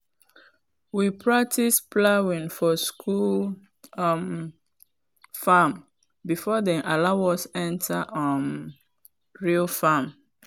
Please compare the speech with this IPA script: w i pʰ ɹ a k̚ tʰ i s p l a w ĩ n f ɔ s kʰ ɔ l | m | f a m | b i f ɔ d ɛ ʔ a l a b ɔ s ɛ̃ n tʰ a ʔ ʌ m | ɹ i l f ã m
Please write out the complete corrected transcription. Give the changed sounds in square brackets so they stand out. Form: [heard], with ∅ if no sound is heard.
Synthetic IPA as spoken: w i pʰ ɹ a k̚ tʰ i s p l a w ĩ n f ɔ s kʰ [u] l | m | f a m | b i f ɔ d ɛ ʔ a l a [w] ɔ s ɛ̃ n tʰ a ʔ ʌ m | ɹ i l f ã m